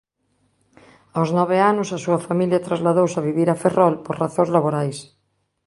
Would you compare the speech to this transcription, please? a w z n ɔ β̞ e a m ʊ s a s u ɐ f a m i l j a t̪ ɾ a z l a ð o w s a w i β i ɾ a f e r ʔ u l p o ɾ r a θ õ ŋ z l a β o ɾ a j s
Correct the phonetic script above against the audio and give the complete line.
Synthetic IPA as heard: a w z n ɔ β̞ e a n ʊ s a s u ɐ f a m i l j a t̪ ɾ a z l a ð o w s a β i β i ɾ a f e r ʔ ɔ l p o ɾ r a θ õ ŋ z l a β o ɾ a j s